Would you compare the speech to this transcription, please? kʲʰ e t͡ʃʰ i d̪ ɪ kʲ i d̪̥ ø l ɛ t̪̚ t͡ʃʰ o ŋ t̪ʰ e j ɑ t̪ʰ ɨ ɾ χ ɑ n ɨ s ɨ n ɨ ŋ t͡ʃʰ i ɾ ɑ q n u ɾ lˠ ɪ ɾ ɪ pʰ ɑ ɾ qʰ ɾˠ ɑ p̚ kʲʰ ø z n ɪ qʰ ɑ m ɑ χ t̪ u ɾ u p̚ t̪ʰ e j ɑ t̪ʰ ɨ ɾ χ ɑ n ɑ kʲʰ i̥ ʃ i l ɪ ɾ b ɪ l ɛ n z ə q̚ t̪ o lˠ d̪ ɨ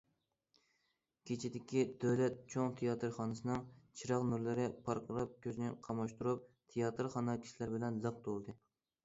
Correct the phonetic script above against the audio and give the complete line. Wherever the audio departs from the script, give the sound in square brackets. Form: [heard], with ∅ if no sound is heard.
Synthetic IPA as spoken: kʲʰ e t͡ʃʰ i d̪ ɪ kʲ i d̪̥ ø l ɛ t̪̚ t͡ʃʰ o ŋ t̪ʰ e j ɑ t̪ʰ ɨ ɾ χ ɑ n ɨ s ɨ n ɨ ŋ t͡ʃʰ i ɾ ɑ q n u ɾ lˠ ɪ ɾ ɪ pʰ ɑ ɾ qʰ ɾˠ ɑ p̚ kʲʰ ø z n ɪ qʰ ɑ m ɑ [ʃ] t̪ u ɾ u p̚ t̪ʰ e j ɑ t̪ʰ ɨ ɾ χ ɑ n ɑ kʲʰ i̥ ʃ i l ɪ ɾ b ɪ l ɛ n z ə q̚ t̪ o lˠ d̪ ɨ